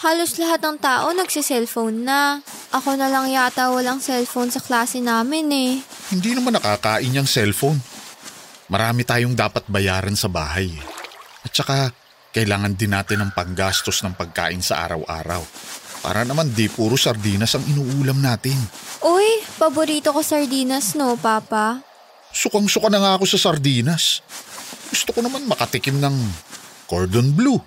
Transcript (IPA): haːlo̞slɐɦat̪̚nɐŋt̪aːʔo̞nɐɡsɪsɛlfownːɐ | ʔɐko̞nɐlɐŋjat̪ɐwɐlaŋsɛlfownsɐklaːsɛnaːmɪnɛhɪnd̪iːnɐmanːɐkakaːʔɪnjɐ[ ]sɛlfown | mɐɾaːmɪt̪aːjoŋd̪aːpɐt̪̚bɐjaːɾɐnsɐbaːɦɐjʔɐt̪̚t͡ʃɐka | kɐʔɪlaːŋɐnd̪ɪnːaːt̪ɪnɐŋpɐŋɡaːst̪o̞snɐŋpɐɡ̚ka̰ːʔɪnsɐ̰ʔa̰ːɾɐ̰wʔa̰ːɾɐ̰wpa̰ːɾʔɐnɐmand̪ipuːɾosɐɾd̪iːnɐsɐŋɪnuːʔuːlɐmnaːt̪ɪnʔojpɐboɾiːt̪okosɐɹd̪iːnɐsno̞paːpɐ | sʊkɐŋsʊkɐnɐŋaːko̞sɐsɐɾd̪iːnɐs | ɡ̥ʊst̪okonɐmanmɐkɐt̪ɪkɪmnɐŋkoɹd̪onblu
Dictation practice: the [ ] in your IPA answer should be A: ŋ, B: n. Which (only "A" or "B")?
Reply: A